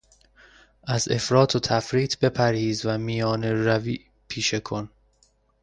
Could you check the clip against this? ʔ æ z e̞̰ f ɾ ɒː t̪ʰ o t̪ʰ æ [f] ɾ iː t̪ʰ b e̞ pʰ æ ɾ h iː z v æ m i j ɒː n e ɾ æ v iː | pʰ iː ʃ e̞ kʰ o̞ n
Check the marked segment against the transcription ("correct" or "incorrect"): correct